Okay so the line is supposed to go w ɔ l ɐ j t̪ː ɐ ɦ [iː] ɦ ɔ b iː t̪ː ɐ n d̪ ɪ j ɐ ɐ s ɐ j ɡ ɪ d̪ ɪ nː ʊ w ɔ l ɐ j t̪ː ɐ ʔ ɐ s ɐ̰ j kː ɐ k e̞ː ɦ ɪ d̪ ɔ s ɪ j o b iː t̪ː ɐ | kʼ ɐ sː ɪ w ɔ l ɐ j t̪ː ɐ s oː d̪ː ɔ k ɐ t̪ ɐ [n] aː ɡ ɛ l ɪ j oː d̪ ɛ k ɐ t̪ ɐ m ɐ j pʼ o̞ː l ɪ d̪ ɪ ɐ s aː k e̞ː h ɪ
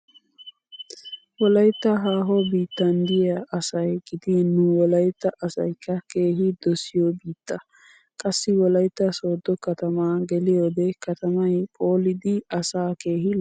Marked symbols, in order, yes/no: no, no

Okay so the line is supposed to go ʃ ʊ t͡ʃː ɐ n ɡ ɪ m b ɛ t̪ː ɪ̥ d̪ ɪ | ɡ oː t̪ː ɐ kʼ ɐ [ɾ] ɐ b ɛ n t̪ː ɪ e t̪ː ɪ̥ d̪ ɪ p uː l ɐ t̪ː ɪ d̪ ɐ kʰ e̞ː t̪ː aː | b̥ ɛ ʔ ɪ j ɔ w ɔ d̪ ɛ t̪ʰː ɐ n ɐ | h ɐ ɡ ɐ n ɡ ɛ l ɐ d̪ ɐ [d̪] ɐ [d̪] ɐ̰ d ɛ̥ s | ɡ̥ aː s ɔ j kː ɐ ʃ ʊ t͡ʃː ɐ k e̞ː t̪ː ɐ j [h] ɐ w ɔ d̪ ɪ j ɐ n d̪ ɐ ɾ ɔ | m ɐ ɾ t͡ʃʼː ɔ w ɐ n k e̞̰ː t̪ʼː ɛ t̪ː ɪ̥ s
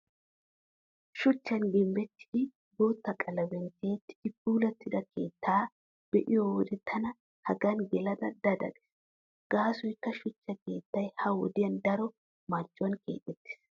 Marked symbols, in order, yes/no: no, yes, yes, yes

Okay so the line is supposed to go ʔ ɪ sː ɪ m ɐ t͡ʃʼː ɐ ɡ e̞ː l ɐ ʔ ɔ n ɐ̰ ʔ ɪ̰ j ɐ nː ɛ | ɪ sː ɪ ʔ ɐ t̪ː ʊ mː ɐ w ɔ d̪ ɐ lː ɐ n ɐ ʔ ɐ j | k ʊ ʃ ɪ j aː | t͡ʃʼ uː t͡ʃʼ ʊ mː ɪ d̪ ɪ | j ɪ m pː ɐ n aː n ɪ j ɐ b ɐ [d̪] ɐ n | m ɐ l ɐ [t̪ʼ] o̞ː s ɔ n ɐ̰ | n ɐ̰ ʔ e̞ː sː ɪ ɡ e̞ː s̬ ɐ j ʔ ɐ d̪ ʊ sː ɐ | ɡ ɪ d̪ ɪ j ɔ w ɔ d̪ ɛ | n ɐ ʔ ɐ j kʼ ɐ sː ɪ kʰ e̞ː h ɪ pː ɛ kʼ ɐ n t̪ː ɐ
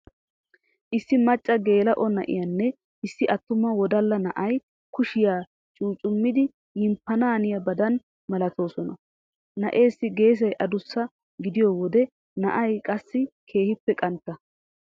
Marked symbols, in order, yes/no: yes, no

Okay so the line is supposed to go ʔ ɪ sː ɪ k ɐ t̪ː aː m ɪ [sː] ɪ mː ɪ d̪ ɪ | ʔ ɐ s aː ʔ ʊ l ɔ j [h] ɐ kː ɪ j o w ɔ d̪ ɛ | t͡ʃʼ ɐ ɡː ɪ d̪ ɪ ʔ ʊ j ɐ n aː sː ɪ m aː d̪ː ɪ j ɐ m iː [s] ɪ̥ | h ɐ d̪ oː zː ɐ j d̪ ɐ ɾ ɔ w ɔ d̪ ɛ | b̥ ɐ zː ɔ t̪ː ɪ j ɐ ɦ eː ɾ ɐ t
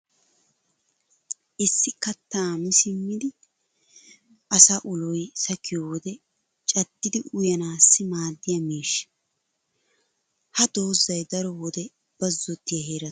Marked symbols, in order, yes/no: no, no, no

